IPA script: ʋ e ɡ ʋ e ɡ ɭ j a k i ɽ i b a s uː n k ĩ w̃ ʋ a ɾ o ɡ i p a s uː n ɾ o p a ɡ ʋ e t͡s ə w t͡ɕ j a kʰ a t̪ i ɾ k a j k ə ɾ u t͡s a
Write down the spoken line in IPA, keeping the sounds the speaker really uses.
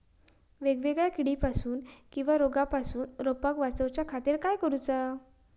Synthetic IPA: ʋ e ɡ ʋ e ɡ ɭ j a k i ɽ i p a s uː n k ĩ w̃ ʋ a ɾ o ɡ a p a s uː n ɾ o p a k ʋ a t͡s ə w t͡ɕ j a kʰ a t̪ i ɾ k a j k ə ɾ u t͡s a